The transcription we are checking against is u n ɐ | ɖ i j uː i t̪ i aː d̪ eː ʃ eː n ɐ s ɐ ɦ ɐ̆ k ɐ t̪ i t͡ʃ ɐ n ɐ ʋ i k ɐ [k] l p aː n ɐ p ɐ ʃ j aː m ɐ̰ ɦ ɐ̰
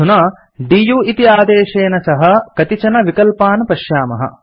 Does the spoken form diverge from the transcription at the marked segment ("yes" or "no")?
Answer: yes